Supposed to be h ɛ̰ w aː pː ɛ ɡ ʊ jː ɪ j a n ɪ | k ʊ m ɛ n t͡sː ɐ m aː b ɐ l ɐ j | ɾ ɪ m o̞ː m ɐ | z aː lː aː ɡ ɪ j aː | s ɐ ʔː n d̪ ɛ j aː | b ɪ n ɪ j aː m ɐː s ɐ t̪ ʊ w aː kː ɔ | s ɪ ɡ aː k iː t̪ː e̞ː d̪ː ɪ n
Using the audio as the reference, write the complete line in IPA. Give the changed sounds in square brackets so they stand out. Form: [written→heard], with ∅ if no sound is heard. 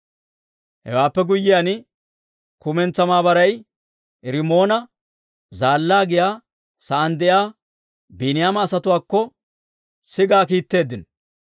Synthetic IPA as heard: h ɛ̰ w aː pː ɛ ɡ ʊ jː ɪ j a n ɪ | k ʊ m ɛ n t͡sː ɐ m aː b ɐ [l→ɾ] ɐ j | ɾ ɪ m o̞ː [m→n] ɐ | z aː lː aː ɡ ɪ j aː | s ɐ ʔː n d̪ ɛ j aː | b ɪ n ɪ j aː m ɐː s ɐ t̪ ʊ w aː kː ɔ | s ɪ ɡ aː k iː t̪ː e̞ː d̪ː ɪ n